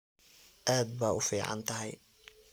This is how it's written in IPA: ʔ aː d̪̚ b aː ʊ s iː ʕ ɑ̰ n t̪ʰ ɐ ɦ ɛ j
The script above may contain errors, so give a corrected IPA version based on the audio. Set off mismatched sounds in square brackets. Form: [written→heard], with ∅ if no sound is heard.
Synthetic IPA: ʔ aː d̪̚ b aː ʊ [s→f] iː ʕ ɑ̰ n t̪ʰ ɐ ɦ ɛ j